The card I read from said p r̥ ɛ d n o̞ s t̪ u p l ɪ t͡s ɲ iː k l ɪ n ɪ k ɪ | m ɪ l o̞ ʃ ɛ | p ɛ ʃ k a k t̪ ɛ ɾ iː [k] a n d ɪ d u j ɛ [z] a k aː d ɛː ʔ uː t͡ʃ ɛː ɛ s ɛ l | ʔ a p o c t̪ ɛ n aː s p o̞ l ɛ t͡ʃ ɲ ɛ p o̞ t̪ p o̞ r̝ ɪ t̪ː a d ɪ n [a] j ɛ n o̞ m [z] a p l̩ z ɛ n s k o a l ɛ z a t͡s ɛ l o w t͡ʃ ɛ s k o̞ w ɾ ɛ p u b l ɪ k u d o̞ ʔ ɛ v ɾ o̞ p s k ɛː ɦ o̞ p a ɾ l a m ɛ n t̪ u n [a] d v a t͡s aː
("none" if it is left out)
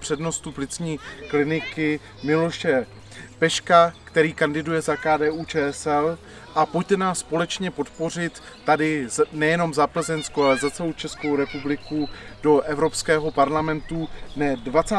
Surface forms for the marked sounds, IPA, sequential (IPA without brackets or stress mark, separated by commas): k, z, ɛ, z, ɛ